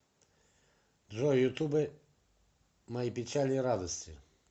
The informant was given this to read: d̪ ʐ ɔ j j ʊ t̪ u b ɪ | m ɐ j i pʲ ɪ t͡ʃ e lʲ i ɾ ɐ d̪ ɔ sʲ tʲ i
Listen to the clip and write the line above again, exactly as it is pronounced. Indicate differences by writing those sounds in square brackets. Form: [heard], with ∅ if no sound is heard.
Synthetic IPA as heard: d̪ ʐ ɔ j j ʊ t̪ u b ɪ | m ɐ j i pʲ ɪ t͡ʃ [a] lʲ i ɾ [a] d̪ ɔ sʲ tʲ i